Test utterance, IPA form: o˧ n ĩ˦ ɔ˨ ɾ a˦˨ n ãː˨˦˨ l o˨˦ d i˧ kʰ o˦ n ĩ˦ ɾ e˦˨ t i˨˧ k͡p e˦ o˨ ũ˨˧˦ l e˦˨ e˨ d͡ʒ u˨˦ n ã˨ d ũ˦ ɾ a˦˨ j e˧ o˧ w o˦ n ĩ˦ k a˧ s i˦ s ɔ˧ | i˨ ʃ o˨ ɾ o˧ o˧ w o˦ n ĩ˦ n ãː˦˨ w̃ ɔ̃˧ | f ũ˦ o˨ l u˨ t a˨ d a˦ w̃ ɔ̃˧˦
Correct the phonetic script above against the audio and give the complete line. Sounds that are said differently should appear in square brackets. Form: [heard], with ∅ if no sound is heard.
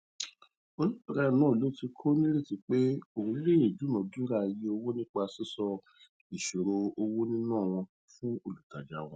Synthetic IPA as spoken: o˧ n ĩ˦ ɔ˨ ɾ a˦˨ n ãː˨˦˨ l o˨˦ [t] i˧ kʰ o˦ n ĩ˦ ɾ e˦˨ t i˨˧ k͡p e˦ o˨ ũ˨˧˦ l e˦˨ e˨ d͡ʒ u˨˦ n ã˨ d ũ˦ ɾ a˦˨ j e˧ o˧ w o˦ n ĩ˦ [k͡p] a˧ s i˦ s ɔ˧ | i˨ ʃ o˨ ɾ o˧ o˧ w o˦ n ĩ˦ n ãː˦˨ w̃ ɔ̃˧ | f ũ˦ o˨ l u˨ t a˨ [d͡ʒ] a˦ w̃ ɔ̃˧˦